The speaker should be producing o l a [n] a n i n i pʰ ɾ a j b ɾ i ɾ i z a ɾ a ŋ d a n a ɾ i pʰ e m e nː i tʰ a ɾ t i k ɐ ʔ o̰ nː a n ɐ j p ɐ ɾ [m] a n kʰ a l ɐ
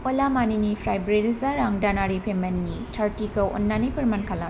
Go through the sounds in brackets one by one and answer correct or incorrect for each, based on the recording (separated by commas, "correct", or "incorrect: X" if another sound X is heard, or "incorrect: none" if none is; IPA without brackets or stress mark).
incorrect: m, correct